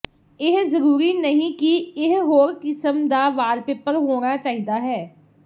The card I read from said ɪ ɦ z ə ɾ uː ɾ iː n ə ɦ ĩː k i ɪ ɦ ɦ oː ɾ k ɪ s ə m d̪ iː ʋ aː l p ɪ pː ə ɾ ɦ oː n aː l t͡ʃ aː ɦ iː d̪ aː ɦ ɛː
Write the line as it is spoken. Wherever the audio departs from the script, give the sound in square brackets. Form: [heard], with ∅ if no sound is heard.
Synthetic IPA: ɪ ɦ z ə ɾ uː ɾ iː n ə ɦ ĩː k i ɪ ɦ ɦ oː ɾ k ɪ s ə m d̪ [aː] ʋ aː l p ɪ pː ə ɾ ɦ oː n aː [∅] t͡ʃ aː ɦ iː d̪ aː ɦ ɛː